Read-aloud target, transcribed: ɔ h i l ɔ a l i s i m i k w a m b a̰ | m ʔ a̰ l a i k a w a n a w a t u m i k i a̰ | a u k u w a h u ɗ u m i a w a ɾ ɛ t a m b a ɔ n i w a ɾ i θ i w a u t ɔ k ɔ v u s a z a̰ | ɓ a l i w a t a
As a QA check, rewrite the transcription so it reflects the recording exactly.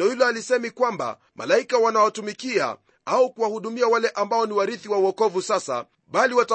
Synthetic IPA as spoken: ɔ h i l ɔ a l i s ɛ m i k w a m b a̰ | m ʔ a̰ l a i k a w a n a w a t u m i k i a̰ | a u k u w a h u ɗ u m i a w a l ɛ ʔ a m b a ɔ n i w a ɾ i θ i w a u ɔ k ɔ v u s a s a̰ | ɓ a l i w a t a